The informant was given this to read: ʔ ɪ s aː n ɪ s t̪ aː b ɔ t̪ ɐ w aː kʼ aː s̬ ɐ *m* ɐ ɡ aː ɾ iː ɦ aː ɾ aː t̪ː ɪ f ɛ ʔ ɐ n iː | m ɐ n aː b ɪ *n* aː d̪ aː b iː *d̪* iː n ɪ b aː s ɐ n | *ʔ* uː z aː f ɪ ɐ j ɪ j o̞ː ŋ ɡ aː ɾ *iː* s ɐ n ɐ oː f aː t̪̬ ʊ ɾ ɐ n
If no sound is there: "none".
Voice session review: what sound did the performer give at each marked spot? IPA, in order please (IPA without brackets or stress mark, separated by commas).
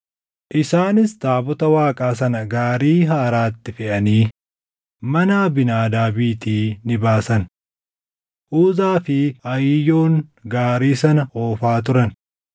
n, n, t̪, ʔ, iː